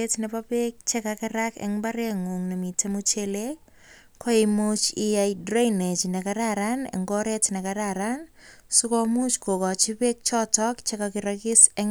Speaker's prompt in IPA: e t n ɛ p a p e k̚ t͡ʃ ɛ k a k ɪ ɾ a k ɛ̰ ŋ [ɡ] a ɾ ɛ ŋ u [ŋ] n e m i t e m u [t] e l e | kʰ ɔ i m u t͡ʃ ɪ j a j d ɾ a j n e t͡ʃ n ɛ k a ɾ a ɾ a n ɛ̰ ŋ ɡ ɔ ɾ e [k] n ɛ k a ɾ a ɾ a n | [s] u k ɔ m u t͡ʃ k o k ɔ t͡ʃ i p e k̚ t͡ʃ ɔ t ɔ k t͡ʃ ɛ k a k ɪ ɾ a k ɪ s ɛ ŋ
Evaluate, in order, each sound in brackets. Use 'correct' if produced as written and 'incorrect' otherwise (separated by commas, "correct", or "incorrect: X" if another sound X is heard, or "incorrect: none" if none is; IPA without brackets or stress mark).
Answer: incorrect: b, correct, incorrect: t͡ʃ, incorrect: t, correct